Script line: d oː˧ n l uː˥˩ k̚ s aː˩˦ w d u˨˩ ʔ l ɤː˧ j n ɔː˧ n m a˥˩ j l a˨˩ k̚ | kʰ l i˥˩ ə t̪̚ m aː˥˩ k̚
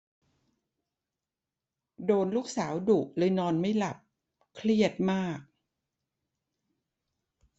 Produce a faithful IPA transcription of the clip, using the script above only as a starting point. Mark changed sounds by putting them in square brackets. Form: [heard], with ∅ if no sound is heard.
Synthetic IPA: d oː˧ n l uː˥˩ k̚ s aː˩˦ w d u˨˩ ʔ l ɤː˧ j n ɔː˧ n m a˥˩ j l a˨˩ [p̚] | kʰ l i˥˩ ə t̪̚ m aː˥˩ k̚